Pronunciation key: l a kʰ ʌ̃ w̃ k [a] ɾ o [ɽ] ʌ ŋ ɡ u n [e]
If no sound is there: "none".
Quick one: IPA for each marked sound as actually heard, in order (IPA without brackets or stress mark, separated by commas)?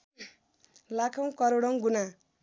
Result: ʌ, ɽ, a